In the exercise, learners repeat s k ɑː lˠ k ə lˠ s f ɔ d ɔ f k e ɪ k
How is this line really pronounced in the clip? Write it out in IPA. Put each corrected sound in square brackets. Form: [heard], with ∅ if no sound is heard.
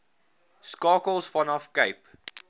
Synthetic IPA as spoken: s k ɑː [∅] k ə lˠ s f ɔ [n] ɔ f k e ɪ [p]